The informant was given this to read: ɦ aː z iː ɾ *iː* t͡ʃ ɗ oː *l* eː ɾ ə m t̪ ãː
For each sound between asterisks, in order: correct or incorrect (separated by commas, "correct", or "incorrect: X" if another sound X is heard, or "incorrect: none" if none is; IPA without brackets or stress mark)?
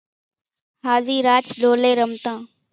incorrect: aː, correct